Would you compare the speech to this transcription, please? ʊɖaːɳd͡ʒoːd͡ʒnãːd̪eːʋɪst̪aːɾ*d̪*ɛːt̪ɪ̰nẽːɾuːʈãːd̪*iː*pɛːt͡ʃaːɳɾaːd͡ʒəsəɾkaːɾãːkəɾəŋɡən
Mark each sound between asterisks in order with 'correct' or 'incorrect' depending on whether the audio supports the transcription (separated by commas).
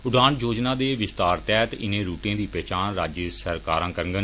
incorrect, correct